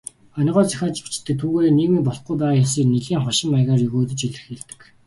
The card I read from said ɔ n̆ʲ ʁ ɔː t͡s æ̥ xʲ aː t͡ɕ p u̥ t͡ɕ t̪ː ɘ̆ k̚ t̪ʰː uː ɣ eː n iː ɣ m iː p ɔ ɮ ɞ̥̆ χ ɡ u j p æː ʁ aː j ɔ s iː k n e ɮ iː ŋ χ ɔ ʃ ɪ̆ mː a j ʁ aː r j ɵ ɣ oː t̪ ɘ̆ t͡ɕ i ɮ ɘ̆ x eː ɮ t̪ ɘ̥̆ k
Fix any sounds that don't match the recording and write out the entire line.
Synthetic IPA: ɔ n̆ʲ ʁ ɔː t͡s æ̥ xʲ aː t͡ɕ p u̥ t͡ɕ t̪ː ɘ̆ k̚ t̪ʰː uː ɣ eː n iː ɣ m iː p ɔ ɮ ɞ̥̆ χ ɡ u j p æː ʁ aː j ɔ s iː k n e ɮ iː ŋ χ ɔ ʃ ɪ̆ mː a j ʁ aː r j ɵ ɣ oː t̪ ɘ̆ t͡ɕ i ɮ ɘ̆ x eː ɮ t̪ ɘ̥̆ k